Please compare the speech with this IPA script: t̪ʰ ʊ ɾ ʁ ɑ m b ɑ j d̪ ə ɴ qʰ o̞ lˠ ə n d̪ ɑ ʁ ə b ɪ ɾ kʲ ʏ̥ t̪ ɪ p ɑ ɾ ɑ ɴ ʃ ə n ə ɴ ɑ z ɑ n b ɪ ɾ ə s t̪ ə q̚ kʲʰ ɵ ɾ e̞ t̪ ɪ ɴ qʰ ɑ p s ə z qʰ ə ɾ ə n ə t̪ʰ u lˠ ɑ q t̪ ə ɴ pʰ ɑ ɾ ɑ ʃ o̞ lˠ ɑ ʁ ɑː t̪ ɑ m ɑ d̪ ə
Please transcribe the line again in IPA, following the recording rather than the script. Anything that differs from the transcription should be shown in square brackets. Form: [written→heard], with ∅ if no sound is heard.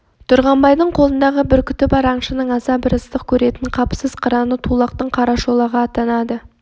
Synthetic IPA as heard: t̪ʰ ʊ ɾ ʁ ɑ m b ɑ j d̪ ə ɴ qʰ o̞ lˠ ə n d̪ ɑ ʁ ə b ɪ ɾ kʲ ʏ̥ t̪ ɪ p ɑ ɾ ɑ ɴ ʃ ə n ə ɴ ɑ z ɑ [n→∅] b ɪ ɾ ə s t̪ ə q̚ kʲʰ ɵ ɾ e̞ t̪ ɪ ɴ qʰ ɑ p s ə z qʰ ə ɾ [ə→ɑ] n ə t̪ʰ u lˠ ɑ q t̪ ə ɴ [pʰ→qʰ] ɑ ɾ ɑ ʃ o̞ lˠ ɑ ʁ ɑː t̪ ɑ [m→n] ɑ d̪ ə